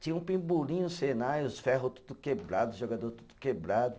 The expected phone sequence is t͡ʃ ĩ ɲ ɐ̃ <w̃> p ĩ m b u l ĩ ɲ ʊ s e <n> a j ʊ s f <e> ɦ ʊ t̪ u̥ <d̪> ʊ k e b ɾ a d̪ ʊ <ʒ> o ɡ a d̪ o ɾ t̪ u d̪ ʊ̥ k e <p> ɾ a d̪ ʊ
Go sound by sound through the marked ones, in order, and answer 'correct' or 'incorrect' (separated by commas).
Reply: incorrect, correct, incorrect, correct, correct, incorrect